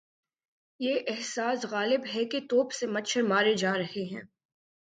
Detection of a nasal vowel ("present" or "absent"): present